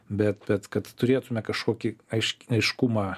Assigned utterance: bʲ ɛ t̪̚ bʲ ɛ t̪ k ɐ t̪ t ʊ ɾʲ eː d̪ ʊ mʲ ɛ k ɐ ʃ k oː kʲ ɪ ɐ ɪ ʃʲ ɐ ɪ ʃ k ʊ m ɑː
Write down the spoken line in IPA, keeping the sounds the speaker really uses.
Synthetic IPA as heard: bʲ ɛ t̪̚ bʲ ɛ t̪ k ɐ t̪ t ʊ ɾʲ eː t̪ ʊ mʲ ɛ k ɐ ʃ k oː kʲ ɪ ɐ ɪ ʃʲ ɐ ɪ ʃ k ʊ m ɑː